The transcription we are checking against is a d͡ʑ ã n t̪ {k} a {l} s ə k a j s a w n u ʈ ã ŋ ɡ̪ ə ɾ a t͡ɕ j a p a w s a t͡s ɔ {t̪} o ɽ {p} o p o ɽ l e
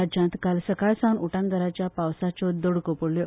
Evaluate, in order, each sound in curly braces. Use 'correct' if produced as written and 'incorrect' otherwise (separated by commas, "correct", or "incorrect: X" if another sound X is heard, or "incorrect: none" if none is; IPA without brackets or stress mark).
correct, correct, incorrect: d̪, incorrect: k